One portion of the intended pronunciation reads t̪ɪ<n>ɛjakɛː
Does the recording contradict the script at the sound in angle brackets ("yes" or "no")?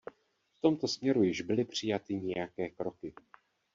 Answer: yes